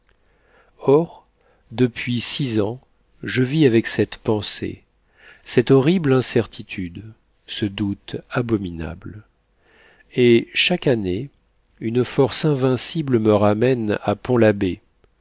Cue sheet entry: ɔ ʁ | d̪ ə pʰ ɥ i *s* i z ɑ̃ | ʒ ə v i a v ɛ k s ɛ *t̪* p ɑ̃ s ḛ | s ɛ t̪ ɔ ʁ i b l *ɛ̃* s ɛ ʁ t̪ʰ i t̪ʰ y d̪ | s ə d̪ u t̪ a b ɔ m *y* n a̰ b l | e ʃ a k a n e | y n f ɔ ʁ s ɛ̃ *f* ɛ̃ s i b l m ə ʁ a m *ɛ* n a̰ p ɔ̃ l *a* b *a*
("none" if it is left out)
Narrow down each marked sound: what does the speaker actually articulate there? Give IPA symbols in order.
s, t̪, ɛ̃, i, v, ɛ, a, e

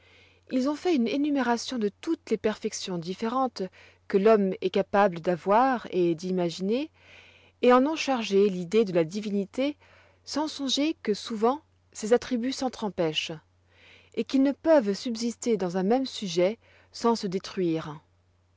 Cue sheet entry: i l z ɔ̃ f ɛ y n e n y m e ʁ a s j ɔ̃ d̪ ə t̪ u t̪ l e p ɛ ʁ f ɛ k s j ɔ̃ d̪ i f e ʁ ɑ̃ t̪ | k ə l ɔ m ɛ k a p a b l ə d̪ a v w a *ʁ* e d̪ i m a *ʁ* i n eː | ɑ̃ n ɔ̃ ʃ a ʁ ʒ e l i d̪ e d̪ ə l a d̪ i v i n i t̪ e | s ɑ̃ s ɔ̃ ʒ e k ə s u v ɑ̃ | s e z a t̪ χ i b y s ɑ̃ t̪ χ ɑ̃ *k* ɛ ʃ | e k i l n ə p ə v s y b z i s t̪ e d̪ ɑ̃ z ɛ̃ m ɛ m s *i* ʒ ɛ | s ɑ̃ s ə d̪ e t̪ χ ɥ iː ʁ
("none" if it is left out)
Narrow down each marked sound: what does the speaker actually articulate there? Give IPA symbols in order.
ʁ, ʒ, p, y

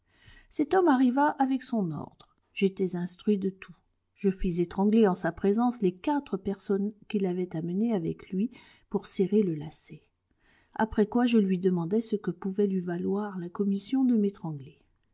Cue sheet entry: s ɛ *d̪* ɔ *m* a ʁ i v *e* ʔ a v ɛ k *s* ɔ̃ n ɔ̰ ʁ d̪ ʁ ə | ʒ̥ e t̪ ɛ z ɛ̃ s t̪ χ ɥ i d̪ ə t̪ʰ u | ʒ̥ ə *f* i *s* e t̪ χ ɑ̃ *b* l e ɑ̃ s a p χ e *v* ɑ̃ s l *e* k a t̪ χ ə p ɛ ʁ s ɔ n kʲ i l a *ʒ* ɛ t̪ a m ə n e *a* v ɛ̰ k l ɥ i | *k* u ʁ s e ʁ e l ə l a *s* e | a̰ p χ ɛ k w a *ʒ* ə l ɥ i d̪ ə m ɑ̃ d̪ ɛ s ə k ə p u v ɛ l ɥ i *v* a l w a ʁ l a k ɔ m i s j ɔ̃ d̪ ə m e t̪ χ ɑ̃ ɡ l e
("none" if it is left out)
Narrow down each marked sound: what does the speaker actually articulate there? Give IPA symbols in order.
t̪, m, a, s, f, z, ɡ, z, e, v, a, p, s, ʒ, v

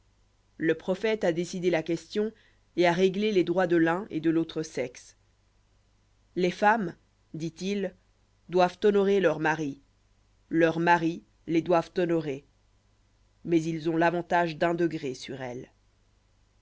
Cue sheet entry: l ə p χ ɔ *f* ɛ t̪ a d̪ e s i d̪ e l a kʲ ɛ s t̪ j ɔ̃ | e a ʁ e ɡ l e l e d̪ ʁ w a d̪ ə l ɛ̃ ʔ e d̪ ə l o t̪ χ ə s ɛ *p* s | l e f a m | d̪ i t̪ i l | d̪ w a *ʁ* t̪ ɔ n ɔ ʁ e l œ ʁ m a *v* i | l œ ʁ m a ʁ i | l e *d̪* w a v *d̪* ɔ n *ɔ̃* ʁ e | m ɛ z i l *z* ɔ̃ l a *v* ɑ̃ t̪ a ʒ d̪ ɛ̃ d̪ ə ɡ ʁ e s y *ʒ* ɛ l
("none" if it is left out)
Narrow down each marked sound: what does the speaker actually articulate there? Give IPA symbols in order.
f, k, v, ʁ, d̪, t̪, ɔ, z, v, ʁ

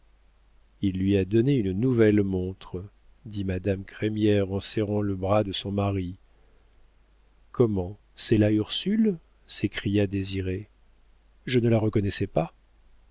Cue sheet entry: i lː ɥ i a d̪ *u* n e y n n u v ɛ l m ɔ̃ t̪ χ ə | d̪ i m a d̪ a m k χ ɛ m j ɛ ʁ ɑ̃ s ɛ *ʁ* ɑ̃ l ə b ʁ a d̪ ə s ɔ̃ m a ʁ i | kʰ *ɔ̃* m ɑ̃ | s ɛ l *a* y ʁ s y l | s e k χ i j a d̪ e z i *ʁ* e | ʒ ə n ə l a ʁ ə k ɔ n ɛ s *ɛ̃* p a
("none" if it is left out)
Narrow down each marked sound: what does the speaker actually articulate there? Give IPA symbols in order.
ɔ, ʁ, ɔ, a, ʁ, ɛ

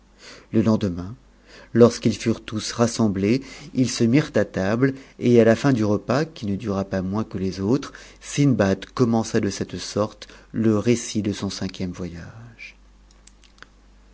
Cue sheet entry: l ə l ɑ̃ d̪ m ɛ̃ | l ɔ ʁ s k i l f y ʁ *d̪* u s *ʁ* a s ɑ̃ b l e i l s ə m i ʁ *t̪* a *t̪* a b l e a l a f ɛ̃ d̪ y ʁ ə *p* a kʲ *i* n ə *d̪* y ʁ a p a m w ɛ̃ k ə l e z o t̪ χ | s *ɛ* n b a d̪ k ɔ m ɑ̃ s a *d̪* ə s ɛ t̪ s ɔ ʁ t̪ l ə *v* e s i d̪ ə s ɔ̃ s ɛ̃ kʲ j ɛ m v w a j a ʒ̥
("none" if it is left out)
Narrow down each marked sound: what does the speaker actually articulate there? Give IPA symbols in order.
t̪, ʁ, t̪, t̪, p, i, d̪, i, d̪, ʁ

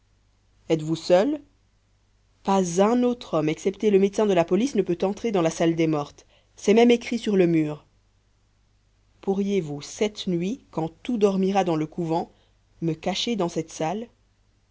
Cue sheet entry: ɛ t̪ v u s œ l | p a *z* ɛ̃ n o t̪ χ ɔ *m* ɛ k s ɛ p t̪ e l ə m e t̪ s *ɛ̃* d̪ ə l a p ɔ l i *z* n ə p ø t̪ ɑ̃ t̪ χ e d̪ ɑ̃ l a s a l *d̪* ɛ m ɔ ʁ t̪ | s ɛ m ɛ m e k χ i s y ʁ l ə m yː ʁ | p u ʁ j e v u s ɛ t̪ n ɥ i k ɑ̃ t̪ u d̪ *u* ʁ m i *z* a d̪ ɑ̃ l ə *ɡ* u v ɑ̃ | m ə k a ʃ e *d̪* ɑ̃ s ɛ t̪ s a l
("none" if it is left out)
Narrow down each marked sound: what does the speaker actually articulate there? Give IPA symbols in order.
z, m, ɛ̃, s, d̪, ɔ, ʁ, k, d̪

